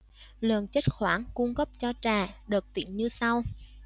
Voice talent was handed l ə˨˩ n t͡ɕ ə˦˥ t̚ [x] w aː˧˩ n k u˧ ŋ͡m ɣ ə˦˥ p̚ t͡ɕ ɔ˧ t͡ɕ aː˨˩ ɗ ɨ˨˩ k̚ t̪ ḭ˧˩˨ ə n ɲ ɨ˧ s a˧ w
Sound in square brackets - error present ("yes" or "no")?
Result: no